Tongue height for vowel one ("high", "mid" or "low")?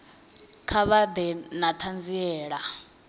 low